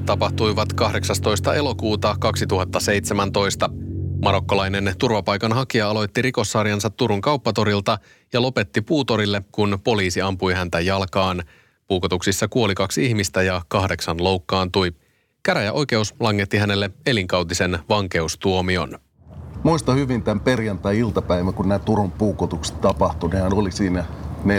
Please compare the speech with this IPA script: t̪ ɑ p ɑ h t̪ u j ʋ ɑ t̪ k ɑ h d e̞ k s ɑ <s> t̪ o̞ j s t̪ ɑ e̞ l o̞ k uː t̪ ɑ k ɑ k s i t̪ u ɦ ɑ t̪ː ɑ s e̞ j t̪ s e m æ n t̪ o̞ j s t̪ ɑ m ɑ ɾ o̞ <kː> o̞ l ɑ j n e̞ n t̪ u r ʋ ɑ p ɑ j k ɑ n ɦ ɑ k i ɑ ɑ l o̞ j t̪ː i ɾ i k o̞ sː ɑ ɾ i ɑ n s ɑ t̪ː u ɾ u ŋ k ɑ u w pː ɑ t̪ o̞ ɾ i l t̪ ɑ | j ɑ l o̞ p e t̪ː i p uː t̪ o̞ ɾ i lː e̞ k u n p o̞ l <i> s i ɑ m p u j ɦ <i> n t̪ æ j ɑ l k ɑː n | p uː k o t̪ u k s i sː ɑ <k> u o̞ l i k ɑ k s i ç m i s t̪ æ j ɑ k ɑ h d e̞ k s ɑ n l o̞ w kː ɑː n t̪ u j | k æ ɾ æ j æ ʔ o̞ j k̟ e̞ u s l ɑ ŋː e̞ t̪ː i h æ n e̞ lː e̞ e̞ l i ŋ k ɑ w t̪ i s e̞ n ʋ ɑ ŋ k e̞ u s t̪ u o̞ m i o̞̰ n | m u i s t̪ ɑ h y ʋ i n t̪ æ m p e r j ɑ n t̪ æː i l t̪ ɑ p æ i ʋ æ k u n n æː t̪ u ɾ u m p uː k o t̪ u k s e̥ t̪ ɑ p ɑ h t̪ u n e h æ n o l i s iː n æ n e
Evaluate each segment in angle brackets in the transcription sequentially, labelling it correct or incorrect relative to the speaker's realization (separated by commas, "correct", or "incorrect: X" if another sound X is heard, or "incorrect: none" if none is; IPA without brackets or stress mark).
correct, correct, incorrect: iː, incorrect: æ, correct